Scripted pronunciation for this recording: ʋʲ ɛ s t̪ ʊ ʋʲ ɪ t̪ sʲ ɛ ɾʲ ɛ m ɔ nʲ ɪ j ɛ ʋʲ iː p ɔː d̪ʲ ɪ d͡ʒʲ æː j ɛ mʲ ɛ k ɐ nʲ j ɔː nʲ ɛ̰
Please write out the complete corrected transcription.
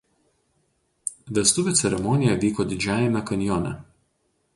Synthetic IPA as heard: ʋʲ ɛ s t̪ ʊ ʋʲ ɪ t̪ sʲ ɛ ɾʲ ɛ m ɔ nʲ ɪ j ɛ ʋʲ iː k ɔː d̪ʲ ɪ d͡ʒʲ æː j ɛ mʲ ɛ k ɐ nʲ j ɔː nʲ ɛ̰